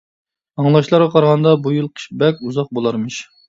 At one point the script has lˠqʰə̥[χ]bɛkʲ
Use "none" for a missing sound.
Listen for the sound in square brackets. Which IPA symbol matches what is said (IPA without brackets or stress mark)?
ʃ